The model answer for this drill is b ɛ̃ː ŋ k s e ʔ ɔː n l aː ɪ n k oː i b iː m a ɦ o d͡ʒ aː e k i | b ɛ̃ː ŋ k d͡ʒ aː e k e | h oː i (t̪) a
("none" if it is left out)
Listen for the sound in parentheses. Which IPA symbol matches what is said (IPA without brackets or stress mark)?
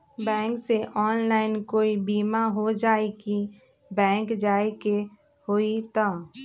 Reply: t̪